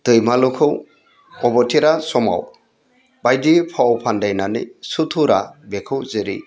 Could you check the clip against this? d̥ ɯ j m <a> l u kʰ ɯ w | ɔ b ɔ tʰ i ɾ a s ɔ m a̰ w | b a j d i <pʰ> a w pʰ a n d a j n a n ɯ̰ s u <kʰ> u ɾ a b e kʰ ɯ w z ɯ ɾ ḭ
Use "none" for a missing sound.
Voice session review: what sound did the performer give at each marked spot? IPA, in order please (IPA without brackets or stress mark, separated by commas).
a, pʰ, tʰ